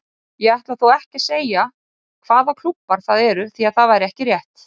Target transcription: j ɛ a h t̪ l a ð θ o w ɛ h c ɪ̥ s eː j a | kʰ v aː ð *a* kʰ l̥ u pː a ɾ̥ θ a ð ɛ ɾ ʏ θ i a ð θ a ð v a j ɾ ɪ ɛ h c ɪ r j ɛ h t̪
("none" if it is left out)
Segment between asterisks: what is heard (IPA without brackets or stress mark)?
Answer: a